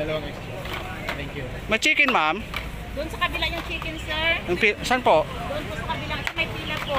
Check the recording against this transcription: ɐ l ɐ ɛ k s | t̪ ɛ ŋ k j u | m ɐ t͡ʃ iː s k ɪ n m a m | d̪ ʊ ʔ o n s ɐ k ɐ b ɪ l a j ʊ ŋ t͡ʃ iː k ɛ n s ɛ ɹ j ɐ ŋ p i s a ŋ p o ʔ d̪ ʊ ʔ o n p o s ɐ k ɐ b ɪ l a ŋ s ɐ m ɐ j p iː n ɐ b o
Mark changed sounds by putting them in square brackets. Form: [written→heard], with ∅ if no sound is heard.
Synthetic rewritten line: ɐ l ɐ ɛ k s | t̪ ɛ ŋ k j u | m ɐ t͡ʃ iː [s→∅] k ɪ n m a m | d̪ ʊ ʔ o n s ɐ k ɐ b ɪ l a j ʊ ŋ t͡ʃ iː k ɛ n s ɛ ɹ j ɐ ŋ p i s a [ŋ→n] p o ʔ d̪ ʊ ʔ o n p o s ɐ k ɐ b ɪ l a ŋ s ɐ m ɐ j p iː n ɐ [b→p] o